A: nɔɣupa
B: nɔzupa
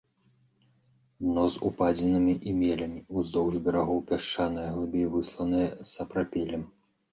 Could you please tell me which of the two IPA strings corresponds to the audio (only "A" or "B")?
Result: B